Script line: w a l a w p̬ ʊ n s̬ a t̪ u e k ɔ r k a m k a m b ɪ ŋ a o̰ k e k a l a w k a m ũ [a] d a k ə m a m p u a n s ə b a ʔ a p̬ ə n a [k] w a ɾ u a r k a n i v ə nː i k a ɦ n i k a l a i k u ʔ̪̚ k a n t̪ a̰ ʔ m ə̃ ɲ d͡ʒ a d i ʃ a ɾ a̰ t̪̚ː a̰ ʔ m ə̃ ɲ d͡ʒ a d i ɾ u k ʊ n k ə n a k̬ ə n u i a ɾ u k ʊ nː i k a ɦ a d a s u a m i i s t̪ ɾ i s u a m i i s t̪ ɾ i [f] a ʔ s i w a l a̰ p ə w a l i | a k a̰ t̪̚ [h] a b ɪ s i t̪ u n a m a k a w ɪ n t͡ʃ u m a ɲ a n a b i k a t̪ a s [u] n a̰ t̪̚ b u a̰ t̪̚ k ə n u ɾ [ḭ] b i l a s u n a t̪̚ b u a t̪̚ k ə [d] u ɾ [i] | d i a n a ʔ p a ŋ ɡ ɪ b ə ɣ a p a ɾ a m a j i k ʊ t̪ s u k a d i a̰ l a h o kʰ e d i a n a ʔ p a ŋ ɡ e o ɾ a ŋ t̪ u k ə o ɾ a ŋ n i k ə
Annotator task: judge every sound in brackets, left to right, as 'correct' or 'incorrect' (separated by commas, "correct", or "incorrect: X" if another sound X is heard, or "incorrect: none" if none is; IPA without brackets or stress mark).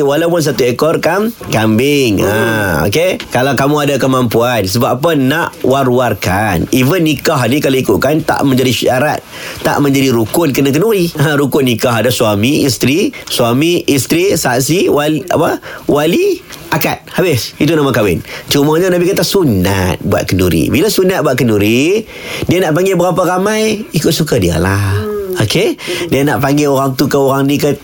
correct, incorrect: ʔ, incorrect: s, correct, correct, correct, incorrect: n, correct